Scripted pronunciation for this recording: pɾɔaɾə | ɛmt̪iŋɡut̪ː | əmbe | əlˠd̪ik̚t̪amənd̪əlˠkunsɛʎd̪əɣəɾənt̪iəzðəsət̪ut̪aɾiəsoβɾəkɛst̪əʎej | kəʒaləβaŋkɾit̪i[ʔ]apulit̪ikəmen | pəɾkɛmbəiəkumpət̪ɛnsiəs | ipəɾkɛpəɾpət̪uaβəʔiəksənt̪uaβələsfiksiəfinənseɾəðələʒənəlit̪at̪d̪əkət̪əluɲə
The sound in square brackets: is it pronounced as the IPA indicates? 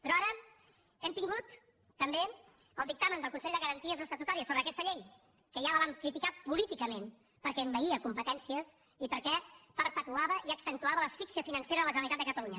no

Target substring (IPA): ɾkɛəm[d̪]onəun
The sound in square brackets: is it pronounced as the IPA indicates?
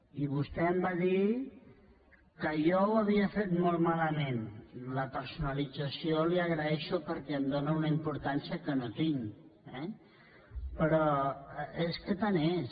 yes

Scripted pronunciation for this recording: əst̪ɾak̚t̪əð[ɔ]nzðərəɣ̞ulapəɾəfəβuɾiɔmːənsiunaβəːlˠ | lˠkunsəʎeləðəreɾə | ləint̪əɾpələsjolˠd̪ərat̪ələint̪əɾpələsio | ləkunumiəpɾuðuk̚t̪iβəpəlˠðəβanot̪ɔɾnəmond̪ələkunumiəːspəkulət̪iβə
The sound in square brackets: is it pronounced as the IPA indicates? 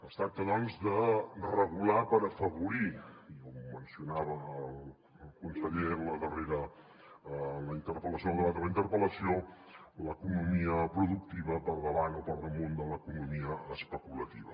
yes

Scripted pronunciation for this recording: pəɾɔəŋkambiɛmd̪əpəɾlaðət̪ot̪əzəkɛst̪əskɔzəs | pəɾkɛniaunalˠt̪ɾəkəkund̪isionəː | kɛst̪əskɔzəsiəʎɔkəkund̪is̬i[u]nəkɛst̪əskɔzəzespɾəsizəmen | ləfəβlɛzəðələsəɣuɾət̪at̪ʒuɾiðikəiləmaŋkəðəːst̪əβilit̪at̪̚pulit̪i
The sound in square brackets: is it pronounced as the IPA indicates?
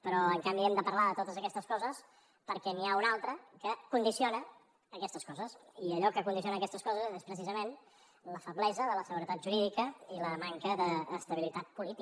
no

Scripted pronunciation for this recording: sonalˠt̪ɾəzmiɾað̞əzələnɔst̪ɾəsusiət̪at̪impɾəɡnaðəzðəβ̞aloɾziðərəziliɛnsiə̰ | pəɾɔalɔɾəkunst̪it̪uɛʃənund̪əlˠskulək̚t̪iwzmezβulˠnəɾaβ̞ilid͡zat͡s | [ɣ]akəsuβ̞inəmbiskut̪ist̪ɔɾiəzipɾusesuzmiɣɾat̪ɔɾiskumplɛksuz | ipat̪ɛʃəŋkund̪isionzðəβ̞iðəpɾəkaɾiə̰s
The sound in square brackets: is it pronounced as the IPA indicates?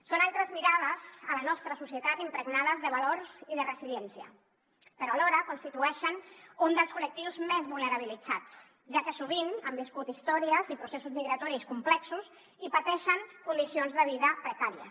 no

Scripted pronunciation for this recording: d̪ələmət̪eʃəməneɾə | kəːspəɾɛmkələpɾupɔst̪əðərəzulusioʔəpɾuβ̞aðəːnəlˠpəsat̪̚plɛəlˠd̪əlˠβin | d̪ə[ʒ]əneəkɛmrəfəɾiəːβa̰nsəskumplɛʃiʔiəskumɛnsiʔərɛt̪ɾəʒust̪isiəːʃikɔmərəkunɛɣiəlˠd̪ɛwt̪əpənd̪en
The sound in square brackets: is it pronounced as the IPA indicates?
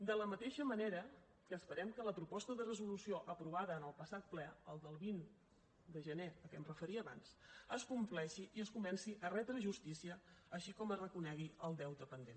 yes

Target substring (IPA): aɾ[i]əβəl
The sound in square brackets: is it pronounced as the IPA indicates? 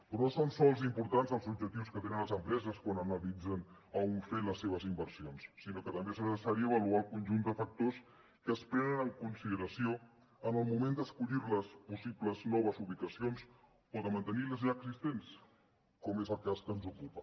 yes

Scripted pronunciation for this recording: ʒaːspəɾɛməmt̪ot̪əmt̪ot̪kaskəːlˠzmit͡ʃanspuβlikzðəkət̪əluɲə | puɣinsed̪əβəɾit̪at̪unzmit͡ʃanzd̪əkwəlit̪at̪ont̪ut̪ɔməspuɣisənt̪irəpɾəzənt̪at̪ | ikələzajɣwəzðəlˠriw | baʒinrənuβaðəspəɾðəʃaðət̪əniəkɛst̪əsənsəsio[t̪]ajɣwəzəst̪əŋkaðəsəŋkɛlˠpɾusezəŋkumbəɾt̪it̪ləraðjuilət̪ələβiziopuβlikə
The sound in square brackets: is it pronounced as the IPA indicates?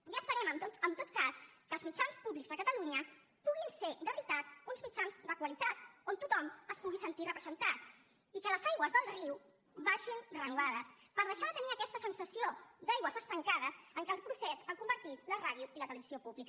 no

